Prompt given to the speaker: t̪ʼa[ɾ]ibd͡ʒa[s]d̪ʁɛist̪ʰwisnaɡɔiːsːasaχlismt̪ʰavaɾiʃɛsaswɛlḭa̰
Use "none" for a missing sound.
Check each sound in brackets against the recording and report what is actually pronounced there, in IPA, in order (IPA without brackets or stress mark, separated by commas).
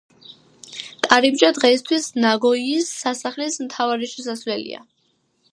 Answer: ɾ, none